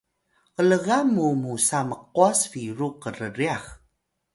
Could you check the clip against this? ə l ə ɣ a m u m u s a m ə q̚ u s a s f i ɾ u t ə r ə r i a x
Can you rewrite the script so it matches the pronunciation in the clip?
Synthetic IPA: ə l ə ɣ a m u m u s a m ə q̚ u a s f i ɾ u q ə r ə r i a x